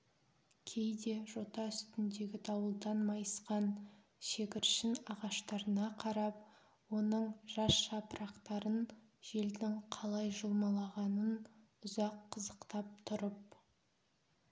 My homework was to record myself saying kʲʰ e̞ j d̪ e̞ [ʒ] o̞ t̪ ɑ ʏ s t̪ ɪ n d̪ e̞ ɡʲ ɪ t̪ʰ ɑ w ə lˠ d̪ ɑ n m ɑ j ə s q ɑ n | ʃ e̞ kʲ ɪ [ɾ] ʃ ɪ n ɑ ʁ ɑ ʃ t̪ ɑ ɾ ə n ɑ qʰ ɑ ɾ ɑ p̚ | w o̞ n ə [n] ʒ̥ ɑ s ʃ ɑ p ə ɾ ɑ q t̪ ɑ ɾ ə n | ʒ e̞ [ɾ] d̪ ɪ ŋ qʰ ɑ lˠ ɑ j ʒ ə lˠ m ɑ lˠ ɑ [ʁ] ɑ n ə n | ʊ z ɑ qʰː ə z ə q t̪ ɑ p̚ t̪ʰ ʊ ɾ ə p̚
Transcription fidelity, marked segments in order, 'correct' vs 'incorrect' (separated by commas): correct, correct, incorrect, incorrect, correct